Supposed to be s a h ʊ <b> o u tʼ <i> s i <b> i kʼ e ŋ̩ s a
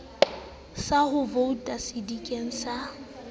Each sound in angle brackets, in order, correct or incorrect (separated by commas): incorrect, incorrect, incorrect